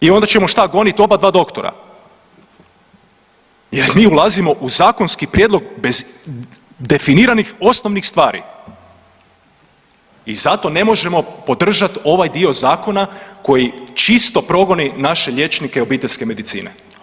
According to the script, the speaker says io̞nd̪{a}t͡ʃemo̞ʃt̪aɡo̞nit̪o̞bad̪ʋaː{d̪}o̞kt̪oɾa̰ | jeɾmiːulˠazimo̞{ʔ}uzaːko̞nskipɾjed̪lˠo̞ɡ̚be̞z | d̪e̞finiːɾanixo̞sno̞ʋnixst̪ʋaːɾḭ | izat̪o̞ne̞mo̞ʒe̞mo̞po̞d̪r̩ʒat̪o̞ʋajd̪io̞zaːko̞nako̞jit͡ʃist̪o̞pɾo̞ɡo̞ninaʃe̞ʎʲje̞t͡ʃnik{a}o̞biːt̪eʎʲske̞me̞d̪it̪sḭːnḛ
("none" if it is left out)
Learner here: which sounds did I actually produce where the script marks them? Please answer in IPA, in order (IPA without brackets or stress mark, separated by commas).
a, d̪, ʔ, e